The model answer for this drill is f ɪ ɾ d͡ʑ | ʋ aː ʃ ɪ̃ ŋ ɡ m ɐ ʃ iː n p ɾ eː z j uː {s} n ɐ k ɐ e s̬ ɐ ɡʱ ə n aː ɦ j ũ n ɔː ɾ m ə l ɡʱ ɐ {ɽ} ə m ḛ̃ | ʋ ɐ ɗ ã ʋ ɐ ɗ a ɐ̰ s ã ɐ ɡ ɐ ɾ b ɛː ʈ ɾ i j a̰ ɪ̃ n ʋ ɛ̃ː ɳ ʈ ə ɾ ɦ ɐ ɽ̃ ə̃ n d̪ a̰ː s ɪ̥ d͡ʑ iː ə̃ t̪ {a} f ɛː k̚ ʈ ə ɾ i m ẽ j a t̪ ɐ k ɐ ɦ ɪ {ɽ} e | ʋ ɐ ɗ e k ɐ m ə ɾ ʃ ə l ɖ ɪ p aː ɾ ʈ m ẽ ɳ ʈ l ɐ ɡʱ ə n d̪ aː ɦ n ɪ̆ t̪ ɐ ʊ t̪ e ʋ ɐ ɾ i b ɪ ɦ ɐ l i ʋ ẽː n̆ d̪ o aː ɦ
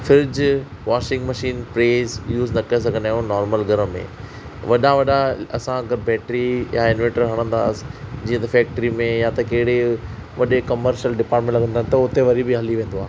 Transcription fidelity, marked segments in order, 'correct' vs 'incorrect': incorrect, incorrect, incorrect, correct

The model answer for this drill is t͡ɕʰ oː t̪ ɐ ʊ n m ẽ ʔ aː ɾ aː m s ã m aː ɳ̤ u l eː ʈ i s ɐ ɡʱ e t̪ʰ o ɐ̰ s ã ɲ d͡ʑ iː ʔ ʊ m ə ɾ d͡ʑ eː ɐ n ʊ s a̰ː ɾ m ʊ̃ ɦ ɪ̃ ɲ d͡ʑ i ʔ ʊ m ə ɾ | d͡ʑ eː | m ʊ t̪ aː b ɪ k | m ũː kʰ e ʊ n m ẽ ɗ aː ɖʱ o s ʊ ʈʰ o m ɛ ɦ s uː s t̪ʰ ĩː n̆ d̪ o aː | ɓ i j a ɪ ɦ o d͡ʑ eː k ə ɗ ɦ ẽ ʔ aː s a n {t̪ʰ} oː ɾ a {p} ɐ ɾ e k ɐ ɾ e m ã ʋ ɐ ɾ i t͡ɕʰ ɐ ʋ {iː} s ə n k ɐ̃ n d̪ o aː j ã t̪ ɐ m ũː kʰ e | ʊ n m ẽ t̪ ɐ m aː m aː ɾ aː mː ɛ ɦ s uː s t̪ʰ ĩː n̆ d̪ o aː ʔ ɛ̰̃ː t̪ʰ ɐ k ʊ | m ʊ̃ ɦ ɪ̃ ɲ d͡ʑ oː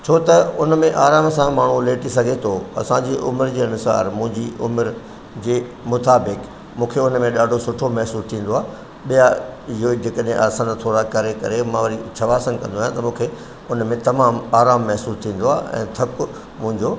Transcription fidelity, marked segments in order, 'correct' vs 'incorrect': correct, incorrect, incorrect

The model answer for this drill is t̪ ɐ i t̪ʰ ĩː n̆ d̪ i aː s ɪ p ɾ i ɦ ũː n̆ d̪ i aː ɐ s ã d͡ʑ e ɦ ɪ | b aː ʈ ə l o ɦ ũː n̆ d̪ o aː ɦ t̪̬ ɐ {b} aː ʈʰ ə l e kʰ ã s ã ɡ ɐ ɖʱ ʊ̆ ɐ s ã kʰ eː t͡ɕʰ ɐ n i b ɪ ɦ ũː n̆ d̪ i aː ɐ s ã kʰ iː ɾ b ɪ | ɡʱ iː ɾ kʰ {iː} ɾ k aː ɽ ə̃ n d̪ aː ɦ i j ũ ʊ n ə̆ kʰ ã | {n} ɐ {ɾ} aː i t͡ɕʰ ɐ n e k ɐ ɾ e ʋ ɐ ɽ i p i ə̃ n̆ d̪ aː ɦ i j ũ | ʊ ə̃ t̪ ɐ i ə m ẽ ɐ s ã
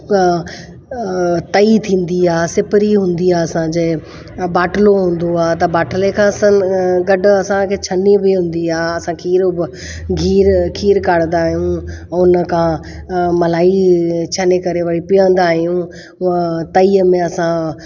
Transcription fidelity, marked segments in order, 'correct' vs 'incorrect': correct, correct, incorrect, incorrect

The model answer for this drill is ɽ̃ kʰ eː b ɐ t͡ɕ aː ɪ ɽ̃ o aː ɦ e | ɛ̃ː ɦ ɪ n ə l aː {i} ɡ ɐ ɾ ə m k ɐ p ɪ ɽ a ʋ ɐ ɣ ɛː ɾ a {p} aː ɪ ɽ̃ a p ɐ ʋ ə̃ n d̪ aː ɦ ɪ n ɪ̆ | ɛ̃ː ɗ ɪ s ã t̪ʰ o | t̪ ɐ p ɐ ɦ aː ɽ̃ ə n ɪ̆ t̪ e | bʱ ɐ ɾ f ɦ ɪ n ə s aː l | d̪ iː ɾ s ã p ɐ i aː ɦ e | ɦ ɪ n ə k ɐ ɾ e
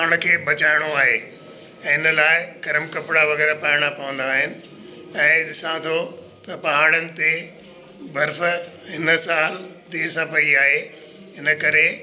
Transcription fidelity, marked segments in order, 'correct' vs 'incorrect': incorrect, correct

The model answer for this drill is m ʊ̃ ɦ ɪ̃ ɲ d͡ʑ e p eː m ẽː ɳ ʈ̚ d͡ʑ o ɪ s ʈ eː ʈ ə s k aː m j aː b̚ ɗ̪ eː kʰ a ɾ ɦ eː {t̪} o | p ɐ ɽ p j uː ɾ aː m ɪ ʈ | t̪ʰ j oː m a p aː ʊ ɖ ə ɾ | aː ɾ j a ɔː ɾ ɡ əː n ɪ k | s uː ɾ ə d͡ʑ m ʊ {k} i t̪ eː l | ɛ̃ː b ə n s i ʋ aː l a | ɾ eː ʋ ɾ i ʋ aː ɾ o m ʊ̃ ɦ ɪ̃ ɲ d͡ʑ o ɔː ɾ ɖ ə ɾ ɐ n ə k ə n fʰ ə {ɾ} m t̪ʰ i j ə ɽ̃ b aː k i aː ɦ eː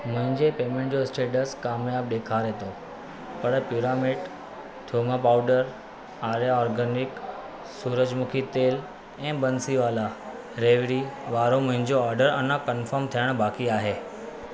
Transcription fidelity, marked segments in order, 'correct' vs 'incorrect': correct, incorrect, correct

